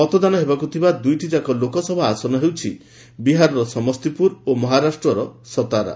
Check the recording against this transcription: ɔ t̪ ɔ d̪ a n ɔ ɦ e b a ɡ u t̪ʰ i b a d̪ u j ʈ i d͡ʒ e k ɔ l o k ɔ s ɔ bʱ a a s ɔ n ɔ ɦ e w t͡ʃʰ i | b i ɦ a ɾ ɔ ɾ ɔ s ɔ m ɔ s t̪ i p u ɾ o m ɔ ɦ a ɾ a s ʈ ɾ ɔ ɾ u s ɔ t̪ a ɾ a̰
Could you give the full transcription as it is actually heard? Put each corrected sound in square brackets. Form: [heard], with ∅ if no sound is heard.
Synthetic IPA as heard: ɔ t̪ ɔ d̪ a n ɔ ɦ e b a [k] u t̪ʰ i b a d̪ u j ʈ i d͡ʒ [a] k ɔ l o k ɔ s ɔ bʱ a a s ɔ n ɔ ɦ e w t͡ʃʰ i | b i ɦ a ɾ ɔ ɾ ɔ s ɔ m ɔ s t̪ i p u ɾ o m ɔ ɦ a ɾ a s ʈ ɾ ɔ ɾ [ɔ] s ɔ t̪ a ɾ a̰